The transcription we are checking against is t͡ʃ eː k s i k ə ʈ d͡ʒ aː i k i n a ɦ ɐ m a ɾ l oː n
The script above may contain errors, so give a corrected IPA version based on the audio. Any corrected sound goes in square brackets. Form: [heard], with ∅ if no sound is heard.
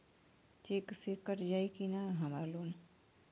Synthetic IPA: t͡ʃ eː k s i k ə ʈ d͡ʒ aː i k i n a ɦ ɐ m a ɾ l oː n

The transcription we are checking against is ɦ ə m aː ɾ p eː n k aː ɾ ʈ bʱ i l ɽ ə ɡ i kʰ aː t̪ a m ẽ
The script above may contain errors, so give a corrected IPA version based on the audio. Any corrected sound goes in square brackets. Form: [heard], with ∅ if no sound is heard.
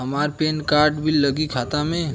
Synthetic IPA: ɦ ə m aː ɾ p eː n k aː ɾ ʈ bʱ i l [l] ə ɡ i kʰ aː t̪ a m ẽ

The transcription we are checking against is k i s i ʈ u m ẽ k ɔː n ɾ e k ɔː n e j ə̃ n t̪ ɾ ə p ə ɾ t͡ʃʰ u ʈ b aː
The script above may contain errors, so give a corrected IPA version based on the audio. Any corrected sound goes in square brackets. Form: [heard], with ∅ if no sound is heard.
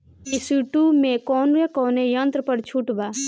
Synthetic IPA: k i s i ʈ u m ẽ k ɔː n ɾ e k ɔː n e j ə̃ n t̪ ɾ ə p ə ɾ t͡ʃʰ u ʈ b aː

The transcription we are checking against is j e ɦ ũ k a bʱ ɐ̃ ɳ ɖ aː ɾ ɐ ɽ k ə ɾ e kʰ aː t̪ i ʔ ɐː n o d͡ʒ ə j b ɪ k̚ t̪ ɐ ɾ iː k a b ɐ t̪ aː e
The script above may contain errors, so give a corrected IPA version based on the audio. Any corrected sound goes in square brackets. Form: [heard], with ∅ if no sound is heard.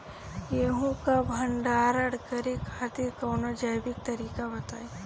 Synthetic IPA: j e ɦ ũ k a bʱ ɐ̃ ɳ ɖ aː ɾ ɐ ɽ k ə ɾ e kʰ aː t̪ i [k] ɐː n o d͡ʒ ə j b ɪ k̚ t̪ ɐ ɾ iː k a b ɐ t̪ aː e

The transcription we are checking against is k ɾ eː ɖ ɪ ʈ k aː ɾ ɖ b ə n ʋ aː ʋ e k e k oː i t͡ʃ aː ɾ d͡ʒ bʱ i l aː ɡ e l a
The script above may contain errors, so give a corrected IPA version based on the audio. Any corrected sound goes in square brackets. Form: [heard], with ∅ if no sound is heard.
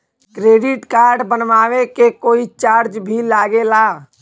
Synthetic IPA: k ɾ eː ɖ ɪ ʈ k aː ɾ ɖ b ə n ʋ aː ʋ e k e k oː i t͡ʃ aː ɾ d͡ʒ bʱ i l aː ɡ e l a

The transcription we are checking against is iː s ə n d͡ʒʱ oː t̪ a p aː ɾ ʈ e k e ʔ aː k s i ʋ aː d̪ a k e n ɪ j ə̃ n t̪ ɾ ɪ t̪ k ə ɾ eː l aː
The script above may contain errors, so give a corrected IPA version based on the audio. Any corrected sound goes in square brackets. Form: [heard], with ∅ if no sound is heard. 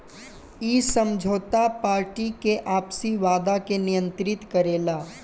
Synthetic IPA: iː s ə [m] d͡ʒʱ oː t̪ a p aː ɾ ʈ [i] k e ʔ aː [p] s i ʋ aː d̪ a k e n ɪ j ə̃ n t̪ ɾ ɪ t̪ k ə ɾ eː l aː

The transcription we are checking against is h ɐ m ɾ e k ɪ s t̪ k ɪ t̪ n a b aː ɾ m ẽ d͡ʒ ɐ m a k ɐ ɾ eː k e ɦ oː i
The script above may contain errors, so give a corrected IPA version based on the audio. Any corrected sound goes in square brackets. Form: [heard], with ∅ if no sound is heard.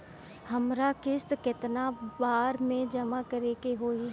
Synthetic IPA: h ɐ m ɾ [a] k ɪ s t̪ k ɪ t̪ n a b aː ɾ m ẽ d͡ʒ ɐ m a k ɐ ɾ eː k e ɦ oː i

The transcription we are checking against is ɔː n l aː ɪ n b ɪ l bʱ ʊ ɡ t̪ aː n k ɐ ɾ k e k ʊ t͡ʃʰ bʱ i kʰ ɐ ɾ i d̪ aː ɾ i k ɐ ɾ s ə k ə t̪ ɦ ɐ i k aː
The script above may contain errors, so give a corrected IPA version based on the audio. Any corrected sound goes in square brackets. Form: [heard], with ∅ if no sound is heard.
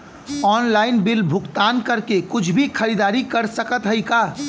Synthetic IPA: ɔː n l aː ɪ n b ɪ l bʱ ʊ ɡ t̪ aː n k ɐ ɾ k e k ʊ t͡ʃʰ bʱ i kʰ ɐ ɾ i d̪ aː ɾ i k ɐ ɾ s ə k ə t̪ ɦ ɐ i k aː

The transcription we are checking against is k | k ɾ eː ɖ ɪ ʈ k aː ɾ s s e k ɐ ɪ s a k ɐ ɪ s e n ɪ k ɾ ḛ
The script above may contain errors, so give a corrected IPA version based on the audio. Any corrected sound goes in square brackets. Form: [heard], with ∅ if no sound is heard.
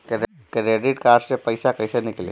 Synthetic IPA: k | k ɾ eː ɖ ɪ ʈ k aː ɾ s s e [p] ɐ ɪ s a k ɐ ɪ s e n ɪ k [l] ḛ

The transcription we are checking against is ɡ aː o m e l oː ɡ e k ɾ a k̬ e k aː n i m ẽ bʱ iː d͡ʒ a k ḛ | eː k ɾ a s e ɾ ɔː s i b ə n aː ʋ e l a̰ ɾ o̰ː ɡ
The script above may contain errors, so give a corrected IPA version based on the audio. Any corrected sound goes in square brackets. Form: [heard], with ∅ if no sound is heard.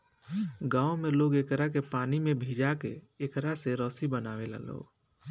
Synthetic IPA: ɡ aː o m e l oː ɡ e k ɾ a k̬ e [p] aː n i m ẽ bʱ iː d͡ʒ a k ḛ | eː k ɾ a s e ɾ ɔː s i b ə n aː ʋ e l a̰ [l] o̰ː ɡ

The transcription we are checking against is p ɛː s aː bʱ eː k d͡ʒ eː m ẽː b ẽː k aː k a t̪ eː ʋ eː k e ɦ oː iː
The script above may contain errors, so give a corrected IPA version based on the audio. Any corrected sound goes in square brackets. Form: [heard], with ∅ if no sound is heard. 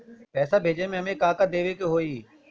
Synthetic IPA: p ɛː s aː bʱ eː [∅] d͡ʒ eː m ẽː [m] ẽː k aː k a [d̪] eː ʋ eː k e ɦ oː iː

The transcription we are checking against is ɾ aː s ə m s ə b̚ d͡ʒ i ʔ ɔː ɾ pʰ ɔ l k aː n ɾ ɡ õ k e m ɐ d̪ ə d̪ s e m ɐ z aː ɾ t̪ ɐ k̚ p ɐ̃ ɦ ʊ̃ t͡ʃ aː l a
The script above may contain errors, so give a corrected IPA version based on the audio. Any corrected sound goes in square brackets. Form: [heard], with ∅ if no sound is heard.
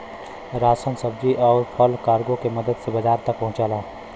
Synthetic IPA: ɾ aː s ə [n] s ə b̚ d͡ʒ i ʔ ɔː ɾ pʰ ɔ l k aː [∅] ɾ ɡ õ k e m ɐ d̪ ə d̪ s e [b] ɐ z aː ɾ t̪ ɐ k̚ p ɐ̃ ɦ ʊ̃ t͡ʃ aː l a

